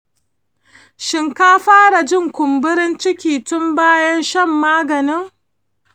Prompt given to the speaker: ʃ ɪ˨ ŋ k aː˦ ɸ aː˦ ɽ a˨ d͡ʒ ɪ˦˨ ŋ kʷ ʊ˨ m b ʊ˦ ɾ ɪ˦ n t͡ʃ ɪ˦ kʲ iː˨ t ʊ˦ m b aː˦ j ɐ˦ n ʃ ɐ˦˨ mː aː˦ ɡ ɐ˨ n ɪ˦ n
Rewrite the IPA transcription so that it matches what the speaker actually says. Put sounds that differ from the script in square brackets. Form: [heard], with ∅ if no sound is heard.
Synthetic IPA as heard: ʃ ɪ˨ ŋ k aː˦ ɸ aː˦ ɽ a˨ d͡ʒ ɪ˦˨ ŋ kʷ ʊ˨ m b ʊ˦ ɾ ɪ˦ n t͡ʃ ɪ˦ kʲ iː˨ t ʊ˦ m b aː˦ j ɐ˦ n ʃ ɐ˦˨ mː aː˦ ɡ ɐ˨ n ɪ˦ [ŋ]